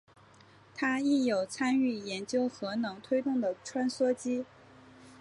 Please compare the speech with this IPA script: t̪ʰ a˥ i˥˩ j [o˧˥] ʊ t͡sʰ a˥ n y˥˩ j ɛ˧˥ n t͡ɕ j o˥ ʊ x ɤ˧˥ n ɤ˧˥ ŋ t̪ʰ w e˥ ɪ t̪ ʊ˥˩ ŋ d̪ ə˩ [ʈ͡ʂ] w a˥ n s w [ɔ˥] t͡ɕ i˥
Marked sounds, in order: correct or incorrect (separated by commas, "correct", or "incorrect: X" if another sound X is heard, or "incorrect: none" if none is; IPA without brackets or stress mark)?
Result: incorrect: o˨˩, incorrect: ʈ͡ʂʰ, correct